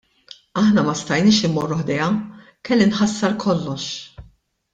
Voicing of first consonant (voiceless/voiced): voiceless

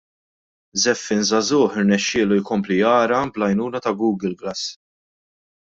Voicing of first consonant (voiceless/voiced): voiced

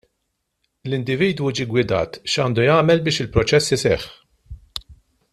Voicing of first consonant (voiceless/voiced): voiced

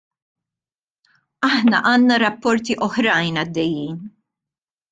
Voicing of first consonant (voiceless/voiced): voiceless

